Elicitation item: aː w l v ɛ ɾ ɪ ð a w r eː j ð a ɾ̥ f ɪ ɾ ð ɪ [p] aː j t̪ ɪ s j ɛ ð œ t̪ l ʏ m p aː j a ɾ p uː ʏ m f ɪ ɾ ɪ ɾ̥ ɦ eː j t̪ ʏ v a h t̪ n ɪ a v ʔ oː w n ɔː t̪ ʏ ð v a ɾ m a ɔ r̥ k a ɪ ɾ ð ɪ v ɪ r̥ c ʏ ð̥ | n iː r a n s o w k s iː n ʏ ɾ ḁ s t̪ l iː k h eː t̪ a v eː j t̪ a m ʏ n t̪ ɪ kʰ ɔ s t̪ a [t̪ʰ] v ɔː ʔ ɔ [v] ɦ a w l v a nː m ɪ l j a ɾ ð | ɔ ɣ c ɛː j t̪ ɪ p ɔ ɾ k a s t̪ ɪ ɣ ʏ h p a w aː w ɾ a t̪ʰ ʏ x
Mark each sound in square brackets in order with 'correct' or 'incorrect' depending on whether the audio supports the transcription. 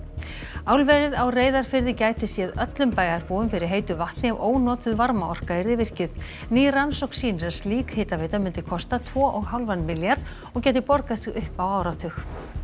incorrect: c, correct, incorrect: ɣ

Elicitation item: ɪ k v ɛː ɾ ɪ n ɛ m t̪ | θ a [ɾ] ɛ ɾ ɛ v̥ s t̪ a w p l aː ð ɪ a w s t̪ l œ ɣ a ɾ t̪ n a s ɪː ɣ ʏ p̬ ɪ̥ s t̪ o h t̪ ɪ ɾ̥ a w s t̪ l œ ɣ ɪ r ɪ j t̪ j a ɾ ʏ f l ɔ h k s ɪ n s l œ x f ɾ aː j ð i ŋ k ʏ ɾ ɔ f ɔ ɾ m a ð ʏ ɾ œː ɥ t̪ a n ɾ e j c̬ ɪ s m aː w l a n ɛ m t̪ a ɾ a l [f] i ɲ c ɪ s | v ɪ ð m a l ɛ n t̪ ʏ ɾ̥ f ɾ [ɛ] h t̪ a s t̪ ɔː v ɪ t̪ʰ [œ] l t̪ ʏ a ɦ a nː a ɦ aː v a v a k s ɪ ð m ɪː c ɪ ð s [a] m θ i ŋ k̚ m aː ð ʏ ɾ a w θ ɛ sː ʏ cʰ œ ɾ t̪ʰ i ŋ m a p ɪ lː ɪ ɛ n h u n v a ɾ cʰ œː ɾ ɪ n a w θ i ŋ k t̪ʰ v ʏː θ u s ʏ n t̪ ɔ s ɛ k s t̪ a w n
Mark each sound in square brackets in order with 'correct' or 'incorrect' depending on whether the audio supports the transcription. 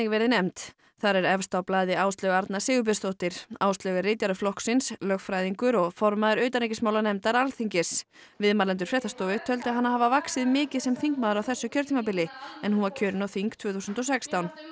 correct, incorrect: θ, correct, correct, incorrect: ɛ

